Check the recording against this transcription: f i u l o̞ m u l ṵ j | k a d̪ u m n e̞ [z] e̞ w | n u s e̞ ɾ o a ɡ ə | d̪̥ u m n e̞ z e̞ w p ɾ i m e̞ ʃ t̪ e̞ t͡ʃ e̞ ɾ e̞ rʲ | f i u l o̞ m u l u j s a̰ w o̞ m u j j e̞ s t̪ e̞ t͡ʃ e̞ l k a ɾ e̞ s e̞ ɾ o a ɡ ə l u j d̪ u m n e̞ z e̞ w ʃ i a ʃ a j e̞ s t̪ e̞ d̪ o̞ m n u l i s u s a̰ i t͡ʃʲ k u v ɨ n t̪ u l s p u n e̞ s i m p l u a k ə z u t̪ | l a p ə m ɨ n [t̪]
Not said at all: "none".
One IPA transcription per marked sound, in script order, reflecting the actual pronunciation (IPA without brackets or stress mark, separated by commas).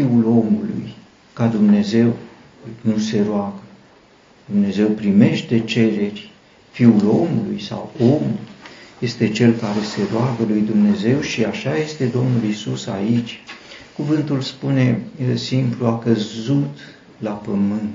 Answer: z, t̪